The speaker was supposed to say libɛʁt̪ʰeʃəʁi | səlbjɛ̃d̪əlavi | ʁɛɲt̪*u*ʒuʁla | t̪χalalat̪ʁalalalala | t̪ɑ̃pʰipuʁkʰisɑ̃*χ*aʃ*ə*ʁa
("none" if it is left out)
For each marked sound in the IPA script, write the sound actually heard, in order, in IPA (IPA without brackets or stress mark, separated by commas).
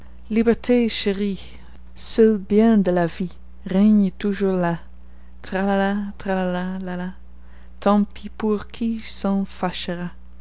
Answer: u, f, ə